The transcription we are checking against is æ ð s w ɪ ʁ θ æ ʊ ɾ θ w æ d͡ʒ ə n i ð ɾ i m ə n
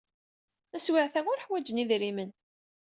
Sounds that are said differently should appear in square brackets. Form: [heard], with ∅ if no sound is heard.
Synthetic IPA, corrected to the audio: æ [∅] s w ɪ [ʕ] θ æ ʊ ɾ [ħ] w æ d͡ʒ ə n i ð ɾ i m ə n